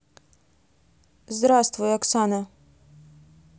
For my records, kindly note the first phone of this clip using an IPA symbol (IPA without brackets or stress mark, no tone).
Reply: z